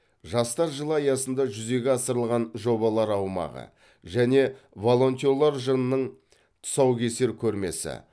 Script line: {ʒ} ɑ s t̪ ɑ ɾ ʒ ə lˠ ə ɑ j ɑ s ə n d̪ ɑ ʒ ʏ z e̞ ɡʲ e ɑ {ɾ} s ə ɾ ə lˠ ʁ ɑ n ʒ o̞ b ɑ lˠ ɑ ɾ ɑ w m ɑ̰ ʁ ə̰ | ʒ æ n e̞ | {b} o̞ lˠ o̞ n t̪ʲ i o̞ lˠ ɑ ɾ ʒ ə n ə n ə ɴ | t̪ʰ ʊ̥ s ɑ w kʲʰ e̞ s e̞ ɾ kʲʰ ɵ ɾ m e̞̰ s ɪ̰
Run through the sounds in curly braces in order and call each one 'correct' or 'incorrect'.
correct, incorrect, incorrect

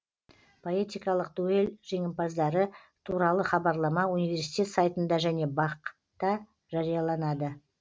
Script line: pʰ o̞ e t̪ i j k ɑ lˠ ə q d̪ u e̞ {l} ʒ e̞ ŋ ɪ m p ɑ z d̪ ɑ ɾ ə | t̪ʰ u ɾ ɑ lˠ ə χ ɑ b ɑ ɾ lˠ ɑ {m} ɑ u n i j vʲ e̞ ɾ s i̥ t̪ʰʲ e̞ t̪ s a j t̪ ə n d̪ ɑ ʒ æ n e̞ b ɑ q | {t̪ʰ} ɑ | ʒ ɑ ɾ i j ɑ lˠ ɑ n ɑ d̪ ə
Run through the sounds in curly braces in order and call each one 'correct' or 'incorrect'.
correct, correct, incorrect

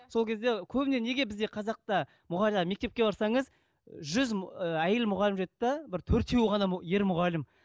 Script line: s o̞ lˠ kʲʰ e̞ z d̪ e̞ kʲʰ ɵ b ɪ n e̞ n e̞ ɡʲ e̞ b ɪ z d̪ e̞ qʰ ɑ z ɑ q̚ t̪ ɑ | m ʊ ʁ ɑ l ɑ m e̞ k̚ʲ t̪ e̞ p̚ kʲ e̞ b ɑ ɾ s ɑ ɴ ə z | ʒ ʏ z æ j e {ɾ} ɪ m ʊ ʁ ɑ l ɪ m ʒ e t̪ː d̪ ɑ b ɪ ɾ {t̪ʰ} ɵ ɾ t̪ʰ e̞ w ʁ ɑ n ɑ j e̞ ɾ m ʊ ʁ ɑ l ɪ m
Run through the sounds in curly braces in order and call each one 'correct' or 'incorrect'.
incorrect, correct

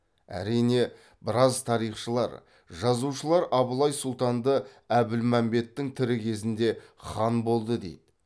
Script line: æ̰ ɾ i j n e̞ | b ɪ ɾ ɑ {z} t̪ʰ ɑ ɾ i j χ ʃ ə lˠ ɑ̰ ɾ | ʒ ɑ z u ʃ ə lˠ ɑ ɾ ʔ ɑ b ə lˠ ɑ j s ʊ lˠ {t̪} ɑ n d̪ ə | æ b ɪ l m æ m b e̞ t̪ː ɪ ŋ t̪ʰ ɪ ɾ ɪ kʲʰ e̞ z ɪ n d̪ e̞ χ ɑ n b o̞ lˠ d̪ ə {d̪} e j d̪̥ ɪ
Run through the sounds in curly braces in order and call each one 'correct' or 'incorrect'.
correct, correct, correct

